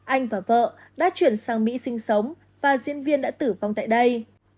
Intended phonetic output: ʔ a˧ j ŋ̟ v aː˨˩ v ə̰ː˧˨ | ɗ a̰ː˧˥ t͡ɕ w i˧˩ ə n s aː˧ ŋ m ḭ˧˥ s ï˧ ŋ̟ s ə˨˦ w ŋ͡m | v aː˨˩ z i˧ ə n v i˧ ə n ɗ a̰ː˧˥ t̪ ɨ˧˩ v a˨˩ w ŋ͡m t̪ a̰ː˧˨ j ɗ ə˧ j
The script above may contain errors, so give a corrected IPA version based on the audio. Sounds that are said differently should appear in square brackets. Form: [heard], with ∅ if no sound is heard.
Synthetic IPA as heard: ʔ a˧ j ŋ̟ v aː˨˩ v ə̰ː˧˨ | ɗ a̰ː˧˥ t͡ɕ w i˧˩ ə n s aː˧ ŋ m ḭ˧˥ s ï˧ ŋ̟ s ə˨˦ w ŋ͡m | v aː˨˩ z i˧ ə n v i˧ ə n ɗ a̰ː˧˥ t̪ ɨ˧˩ v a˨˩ w ŋ͡m t̪ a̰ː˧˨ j ɗ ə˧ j

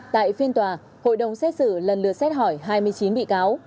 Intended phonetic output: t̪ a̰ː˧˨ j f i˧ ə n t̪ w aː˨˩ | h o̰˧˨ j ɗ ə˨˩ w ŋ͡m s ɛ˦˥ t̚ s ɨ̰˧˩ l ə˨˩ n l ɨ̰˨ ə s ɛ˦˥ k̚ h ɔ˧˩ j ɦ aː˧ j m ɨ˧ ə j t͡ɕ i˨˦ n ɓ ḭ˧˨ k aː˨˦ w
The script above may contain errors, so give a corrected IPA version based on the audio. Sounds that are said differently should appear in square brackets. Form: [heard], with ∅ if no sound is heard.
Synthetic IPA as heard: t̪ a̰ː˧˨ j f i˧ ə n t̪ w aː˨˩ | h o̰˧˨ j ɗ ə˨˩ w ŋ͡m s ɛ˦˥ t̚ s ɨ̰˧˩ l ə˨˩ n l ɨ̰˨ ə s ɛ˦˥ [t̚] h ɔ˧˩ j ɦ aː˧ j m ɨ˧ ə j t͡ɕ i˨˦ n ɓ ḭ˧˨ k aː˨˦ w

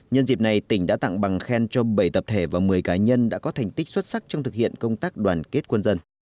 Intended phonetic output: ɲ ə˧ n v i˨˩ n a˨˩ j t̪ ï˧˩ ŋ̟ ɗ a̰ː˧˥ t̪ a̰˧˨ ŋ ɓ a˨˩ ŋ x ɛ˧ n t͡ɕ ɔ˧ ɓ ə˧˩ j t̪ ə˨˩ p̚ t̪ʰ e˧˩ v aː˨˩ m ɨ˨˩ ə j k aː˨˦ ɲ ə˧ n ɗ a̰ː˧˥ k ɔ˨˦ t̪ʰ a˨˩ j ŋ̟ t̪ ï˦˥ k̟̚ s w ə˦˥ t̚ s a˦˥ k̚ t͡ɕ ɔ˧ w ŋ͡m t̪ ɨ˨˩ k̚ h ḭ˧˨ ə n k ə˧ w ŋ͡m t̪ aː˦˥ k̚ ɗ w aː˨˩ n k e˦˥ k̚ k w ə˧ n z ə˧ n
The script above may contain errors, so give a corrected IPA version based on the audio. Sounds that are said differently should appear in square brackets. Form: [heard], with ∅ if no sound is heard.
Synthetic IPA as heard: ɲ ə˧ n [z] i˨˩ n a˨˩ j t̪ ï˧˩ ŋ̟ ɗ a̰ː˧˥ t̪ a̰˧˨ ŋ ɓ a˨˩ ŋ x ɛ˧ n t͡ɕ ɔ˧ ɓ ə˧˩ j t̪ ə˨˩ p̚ t̪ʰ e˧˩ v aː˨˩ m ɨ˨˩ ə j k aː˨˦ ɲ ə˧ n ɗ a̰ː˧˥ k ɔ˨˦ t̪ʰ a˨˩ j ŋ̟ t̪ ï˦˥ k̟̚ s w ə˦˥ t̚ s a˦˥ k̚ t͡ɕ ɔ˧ w ŋ͡m t̪ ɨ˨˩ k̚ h ḭ˧˨ ə n k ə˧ w ŋ͡m t̪ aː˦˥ k̚ ɗ w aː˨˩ n k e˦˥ [t̚] k w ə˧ n z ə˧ n

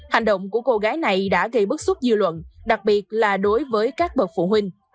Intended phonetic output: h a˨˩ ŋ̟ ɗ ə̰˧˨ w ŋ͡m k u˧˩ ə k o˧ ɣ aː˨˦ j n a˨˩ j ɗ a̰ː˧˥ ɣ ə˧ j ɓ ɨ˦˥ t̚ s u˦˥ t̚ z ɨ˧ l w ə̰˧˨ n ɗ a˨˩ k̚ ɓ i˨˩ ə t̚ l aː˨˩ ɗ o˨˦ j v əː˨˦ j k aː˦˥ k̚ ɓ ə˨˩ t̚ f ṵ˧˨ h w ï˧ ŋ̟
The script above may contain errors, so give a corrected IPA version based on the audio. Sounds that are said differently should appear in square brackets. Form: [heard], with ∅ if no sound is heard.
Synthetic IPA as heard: h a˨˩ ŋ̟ ɗ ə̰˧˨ w ŋ͡m k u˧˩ ə k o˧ ɣ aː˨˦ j n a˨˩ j ɗ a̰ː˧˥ ɣ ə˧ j ɓ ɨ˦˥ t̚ s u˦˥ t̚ z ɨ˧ l w ə̰˧˨ n ɗ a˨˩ k̚ ɓ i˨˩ ə t̚ l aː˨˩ ɗ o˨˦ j v əː˨˦ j k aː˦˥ k̚ ɓ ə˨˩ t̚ f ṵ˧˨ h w ï˧ ŋ̟

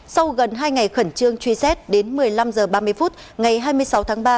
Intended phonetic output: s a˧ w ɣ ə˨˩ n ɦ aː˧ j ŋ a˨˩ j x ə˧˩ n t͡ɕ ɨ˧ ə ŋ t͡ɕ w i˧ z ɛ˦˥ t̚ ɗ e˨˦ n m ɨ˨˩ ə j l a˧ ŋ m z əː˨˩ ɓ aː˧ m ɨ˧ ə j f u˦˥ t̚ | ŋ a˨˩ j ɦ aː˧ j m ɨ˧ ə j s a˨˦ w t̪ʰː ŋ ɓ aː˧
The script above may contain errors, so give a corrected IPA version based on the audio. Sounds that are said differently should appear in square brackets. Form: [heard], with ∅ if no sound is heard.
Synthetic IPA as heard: s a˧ w ɣ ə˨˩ n ɦ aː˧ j ŋ a˨˩ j x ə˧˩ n t͡ɕ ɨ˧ ə ŋ t͡ɕ w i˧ [s] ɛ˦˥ t̚ ɗ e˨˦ n m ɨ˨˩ ə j l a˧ [∅] m z əː˨˩ ɓ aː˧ m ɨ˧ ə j f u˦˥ t̚ | ŋ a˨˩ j ɦ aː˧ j m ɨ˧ ə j s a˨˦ w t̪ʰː ŋ ɓ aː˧

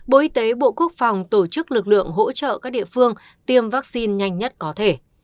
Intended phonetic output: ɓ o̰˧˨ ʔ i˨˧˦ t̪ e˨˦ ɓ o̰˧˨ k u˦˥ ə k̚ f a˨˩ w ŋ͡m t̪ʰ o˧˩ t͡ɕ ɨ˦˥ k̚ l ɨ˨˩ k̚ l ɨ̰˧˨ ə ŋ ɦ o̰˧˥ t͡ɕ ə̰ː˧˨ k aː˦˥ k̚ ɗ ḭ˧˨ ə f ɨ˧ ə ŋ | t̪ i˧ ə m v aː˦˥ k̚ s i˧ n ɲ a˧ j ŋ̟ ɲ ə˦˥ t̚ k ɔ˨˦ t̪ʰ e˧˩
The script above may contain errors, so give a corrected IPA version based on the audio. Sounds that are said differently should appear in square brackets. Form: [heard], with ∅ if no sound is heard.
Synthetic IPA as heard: ɓ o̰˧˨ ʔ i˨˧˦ t̪ e˨˦ ɓ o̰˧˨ k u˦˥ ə k̚ f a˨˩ w ŋ͡m [t̪] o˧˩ t͡ɕ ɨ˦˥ k̚ l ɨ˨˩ k̚ l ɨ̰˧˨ ə ŋ ɦ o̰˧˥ t͡ɕ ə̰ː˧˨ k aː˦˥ k̚ ɗ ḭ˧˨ ə f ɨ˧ ə ŋ | t̪ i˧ ə m v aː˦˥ k̚ s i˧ n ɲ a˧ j ŋ̟ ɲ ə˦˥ t̚ k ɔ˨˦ t̪ʰ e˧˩

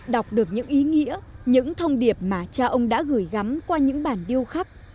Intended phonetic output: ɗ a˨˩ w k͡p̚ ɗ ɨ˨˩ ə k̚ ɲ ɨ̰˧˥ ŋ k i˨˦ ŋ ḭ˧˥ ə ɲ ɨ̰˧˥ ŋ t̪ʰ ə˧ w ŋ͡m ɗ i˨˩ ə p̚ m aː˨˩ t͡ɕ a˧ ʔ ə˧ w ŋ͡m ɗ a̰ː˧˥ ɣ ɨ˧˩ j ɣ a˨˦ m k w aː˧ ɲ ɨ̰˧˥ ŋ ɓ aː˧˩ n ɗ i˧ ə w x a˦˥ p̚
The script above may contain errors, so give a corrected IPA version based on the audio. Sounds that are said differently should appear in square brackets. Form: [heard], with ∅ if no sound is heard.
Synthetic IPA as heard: ɗ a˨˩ w k͡p̚ ɗ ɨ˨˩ ə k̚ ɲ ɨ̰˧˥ ŋ [ʔ] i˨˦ ŋ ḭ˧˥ ə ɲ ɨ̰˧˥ ŋ t̪ʰ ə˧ w ŋ͡m ɗ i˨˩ ə p̚ m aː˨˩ t͡ɕ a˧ ʔ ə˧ w ŋ͡m ɗ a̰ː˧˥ ɣ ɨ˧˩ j ɣ a˨˦ m k w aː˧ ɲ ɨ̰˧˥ ŋ ɓ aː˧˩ n ɗ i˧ ə w x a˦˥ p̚

